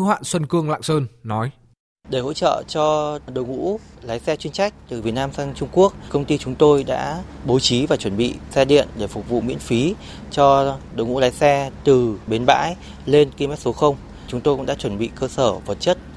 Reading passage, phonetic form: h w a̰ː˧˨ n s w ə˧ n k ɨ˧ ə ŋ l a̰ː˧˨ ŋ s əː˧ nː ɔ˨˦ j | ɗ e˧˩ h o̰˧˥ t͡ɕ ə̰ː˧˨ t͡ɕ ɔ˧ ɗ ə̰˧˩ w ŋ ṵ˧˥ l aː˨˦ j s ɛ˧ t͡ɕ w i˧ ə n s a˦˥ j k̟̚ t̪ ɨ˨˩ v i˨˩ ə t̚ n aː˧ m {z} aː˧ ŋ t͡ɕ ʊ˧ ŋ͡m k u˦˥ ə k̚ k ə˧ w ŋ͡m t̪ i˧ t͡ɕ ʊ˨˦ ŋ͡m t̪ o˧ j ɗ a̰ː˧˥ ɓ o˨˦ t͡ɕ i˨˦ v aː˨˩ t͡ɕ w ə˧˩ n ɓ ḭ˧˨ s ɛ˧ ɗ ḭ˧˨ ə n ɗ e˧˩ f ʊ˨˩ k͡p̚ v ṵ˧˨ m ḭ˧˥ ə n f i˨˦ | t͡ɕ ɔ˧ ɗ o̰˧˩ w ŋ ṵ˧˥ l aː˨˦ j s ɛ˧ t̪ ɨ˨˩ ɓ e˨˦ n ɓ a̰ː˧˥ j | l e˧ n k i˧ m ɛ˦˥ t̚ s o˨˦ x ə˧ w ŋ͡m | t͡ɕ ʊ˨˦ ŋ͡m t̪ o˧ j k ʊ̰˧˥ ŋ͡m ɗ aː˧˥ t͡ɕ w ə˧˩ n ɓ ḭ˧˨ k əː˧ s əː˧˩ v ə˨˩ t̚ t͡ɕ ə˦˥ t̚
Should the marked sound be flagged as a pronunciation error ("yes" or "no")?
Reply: yes